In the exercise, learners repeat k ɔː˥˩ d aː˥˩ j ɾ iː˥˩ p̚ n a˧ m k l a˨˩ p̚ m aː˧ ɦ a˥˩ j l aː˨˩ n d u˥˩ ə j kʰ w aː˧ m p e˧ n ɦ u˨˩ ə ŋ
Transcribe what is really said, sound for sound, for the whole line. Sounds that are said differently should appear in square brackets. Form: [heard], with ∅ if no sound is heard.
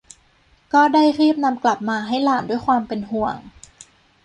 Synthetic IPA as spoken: k ɔː˥˩ d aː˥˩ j ɾ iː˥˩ p̚ n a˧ m k l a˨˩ p̚ m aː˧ ɦ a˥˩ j l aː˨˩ n d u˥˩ ə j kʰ w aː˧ m p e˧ n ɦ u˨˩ ə ŋ